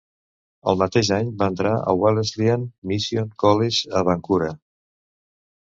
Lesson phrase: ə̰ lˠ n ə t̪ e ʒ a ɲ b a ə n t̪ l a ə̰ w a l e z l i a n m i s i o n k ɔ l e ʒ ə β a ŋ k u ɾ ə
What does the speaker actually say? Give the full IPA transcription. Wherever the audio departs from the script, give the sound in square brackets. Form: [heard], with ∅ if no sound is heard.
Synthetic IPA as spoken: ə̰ lˠ [m] ə t̪ e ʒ a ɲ b a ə n t̪ [ɾ] a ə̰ w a l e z l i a n m i s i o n k ɔ l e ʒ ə β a ŋ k u ɾ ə